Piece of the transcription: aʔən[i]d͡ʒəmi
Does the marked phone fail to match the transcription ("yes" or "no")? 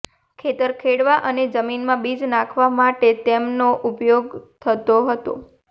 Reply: yes